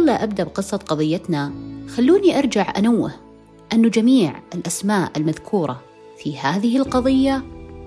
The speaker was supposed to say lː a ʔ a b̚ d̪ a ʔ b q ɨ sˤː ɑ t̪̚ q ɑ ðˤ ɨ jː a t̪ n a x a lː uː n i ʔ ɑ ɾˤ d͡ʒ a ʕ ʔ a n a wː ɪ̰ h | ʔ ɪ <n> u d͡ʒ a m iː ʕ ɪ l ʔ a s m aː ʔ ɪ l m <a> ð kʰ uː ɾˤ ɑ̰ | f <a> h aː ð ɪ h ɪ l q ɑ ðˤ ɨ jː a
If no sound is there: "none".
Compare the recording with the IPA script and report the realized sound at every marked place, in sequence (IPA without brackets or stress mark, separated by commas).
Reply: nː, a, i